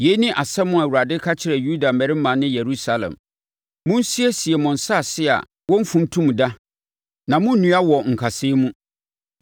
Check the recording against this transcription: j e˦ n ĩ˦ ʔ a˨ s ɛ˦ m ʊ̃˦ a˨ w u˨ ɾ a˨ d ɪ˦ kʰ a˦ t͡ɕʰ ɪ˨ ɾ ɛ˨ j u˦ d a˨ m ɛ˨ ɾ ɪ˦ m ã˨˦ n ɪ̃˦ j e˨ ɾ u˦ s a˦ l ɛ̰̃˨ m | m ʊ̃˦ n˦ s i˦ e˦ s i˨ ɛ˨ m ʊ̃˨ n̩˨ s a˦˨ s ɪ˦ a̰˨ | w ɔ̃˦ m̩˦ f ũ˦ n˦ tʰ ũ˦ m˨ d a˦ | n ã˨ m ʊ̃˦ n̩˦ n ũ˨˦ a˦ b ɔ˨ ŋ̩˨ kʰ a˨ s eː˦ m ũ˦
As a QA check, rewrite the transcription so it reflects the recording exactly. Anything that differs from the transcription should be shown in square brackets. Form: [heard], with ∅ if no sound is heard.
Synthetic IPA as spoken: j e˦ n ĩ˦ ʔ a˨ s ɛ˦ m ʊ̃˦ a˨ w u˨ ɾ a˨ d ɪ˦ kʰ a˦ t͡ɕʰ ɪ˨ ɾ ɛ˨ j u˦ d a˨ m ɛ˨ ɾ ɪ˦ m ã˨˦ n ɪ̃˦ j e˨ ɾ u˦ s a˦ l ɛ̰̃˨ m | m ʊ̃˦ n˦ s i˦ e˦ s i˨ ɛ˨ m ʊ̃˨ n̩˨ s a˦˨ s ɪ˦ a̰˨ | w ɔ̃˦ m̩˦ f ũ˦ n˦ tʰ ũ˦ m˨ d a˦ | n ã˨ m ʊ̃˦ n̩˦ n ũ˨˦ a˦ [w] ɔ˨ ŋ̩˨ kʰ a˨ s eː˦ m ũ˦

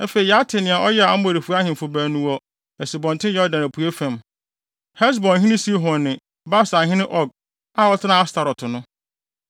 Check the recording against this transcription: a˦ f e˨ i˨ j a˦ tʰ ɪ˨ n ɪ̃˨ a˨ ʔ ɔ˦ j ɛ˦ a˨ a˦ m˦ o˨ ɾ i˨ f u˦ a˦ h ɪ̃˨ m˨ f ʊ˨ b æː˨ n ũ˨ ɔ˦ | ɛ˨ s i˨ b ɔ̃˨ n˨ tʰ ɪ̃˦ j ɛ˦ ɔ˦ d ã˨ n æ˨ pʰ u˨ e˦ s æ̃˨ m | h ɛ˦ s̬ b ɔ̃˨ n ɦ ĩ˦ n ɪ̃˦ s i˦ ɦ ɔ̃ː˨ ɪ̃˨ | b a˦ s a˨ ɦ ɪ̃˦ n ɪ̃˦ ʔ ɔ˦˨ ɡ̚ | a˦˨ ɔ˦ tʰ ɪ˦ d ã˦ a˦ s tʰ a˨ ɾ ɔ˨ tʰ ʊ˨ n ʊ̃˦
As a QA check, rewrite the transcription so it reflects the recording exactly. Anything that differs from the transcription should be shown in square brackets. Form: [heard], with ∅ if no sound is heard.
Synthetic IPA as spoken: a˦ f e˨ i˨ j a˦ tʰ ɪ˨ n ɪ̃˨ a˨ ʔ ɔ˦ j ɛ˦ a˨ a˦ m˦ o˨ ɾ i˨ f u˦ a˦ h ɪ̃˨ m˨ f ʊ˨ b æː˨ n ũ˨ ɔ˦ | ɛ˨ s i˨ b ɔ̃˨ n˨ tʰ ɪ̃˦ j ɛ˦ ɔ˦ d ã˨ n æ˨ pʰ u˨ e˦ [f] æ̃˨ m | h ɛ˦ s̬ b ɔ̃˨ n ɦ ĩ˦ n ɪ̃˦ s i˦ ɦ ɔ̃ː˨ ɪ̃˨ | b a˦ s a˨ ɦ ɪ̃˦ n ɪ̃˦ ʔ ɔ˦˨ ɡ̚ | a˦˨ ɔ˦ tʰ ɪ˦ [n] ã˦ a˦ s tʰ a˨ ɾ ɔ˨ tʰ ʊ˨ n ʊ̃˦

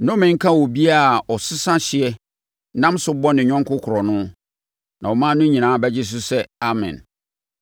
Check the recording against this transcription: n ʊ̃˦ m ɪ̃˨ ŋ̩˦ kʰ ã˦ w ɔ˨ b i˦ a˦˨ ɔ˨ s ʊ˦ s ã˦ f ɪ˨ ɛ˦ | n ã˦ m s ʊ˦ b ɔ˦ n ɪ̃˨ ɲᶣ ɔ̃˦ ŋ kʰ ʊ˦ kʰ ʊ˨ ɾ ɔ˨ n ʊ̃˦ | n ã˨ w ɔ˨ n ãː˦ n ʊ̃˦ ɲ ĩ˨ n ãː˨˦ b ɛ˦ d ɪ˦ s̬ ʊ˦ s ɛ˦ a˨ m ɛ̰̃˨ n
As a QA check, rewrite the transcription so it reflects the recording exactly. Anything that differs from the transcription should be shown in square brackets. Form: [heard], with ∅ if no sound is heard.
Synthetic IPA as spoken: n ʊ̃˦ m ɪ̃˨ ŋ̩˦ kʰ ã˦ w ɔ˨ b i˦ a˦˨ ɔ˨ s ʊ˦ s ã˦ [ɕ] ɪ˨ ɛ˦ | n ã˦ m s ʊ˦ b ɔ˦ n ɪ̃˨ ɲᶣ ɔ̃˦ ŋ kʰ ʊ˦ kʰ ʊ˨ ɾ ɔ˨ n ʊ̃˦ | n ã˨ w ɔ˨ [m] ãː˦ n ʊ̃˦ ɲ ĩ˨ n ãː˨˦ b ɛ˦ [d͡ʑ] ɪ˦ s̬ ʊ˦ s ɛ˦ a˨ m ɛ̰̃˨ n

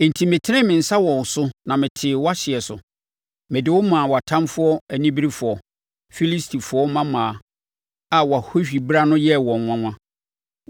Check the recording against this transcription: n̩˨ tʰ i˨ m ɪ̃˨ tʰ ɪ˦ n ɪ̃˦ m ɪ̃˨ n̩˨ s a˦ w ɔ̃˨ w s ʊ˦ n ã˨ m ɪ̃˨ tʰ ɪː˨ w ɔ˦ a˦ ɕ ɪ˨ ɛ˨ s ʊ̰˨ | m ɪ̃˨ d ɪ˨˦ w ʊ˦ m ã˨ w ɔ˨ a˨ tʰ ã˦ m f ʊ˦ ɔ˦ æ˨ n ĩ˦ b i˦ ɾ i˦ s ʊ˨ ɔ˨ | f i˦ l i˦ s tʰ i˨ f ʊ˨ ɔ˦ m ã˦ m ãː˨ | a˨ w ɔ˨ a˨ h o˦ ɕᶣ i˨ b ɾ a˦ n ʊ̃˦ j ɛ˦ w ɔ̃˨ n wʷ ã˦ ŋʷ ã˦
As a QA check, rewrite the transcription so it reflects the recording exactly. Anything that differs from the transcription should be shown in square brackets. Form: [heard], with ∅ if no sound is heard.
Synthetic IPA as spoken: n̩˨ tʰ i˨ m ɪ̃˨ tʰ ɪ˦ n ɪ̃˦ m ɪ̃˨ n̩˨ s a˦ w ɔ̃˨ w s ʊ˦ n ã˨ m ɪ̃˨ tʰ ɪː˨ w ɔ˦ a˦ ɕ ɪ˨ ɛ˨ s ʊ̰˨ | m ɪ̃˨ d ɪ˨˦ w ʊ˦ m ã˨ w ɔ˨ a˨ tʰ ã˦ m f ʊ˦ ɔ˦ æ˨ n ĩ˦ b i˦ ɾ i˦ [f] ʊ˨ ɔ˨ | f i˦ l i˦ s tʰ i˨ f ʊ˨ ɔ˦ m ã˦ m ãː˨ | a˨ w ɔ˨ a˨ h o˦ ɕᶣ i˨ b ɾ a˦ n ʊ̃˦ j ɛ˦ w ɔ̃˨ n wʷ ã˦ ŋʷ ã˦

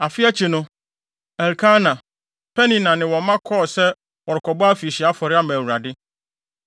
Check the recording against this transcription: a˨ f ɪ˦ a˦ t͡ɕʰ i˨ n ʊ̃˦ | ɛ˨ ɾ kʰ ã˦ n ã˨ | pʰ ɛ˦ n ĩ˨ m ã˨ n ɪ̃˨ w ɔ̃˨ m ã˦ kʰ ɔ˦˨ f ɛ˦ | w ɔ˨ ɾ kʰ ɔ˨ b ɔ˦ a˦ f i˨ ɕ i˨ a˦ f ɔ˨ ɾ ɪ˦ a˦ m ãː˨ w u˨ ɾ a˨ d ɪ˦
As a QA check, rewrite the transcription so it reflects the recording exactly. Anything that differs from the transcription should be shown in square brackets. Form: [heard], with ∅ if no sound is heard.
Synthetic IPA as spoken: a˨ f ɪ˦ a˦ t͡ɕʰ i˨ n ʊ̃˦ | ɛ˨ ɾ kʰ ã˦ n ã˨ | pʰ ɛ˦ n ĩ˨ [n] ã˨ n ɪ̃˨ w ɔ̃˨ m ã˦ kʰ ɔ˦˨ [s] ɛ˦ | w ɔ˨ ɾ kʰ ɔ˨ b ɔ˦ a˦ f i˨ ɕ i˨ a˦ f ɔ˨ ɾ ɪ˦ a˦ m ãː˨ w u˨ ɾ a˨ d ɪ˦

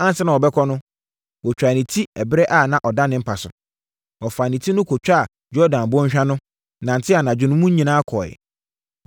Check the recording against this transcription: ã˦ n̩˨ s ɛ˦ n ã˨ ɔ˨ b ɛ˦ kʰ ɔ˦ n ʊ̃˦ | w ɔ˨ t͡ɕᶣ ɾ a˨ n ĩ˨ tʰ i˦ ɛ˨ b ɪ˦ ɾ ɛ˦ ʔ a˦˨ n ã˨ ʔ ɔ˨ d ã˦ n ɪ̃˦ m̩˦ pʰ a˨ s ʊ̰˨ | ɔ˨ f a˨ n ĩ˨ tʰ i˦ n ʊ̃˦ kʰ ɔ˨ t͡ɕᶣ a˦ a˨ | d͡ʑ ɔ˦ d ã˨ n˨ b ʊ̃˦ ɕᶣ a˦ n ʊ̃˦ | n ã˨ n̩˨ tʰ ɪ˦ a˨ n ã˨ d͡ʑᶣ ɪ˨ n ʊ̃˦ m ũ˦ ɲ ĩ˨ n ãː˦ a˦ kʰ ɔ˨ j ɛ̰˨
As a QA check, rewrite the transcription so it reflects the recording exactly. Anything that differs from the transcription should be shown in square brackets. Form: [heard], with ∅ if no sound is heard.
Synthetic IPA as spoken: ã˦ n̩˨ s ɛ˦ n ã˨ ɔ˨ b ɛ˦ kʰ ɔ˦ n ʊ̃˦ | w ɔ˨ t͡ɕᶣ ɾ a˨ n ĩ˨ tʰ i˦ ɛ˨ b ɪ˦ ɾ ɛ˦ ʔ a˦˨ n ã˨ ʔ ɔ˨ d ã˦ n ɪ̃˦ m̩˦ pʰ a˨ s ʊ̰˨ | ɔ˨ f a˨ n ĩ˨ tʰ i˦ n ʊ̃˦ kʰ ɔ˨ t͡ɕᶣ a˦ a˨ | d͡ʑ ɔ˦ d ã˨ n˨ b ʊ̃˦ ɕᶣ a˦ n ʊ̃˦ | n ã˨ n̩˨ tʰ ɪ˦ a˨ n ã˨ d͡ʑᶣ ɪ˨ n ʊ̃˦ m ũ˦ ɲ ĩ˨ n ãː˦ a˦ kʰ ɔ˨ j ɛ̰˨

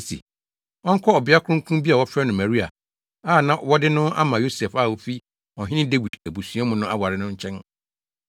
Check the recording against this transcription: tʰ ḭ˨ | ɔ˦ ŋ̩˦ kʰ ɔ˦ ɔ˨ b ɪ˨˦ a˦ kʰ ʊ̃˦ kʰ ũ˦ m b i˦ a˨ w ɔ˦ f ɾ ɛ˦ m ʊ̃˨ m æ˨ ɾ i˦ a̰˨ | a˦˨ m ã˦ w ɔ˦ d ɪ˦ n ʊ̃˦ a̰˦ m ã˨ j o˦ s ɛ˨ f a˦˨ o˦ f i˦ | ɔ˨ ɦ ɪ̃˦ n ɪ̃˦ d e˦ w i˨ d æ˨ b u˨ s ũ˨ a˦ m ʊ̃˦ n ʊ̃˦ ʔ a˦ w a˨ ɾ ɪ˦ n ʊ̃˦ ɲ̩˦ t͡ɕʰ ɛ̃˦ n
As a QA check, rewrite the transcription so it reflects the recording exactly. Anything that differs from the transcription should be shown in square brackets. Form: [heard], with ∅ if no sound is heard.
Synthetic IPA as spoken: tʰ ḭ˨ | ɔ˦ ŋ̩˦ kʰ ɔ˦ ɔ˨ b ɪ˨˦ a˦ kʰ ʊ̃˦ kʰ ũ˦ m b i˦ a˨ w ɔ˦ f ɾ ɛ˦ [n] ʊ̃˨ m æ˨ ɾ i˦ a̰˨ | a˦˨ [n] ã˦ w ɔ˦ d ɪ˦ n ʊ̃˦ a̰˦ m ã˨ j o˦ s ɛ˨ f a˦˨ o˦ f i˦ | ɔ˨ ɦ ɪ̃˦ n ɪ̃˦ d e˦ w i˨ d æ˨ b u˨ s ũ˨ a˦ m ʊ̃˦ n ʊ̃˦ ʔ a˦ w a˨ ɾ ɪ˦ n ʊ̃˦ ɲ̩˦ t͡ɕʰ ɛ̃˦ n

